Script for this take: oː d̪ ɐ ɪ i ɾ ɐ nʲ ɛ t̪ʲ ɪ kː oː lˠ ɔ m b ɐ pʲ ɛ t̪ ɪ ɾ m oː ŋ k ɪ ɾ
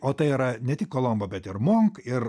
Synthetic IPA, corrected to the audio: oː t̪ ɐ ɪ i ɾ ɐ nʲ ɛ t̪ʲ ɪ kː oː lˠ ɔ m b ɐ bʲ ɛ t̪ ɪ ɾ m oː ŋ k ɪ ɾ